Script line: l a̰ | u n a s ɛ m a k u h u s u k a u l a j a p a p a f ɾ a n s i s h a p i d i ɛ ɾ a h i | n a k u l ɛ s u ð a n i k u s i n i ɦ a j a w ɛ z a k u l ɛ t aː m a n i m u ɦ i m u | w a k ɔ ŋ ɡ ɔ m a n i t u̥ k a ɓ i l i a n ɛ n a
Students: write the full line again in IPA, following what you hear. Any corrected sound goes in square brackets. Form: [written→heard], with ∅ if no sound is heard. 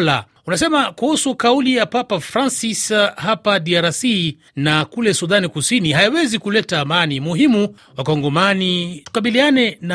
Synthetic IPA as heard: l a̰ | u n a s ɛ m a k u h u s u k a u l [a→i] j a p a p a f ɾ a n s i s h a p [i→a] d i [ɛ→a] ɾ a [h→s] i | n a k u l ɛ s u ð a n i k u s i n i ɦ a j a w ɛ z [a→i] k u l ɛ t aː m a n i m u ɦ i m u | w a k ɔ ŋ ɡ ɔ m a n i t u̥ k a ɓ i l i a n ɛ n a